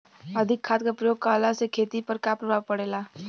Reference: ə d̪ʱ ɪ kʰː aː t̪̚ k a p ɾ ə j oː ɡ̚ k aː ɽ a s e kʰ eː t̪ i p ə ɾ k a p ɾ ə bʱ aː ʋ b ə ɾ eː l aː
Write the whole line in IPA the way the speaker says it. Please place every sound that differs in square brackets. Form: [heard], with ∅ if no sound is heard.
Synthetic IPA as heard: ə d̪ʱ ɪ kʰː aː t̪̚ k a p ɾ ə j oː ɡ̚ k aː [l] a s e kʰ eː t̪ i p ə ɾ k a p ɾ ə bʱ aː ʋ [p] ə [ɽ] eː l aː